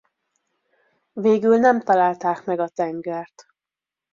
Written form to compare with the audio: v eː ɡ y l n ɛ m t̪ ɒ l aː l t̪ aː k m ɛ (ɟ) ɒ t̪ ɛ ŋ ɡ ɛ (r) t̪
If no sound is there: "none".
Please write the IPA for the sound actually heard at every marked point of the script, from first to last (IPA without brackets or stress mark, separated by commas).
ɡ, r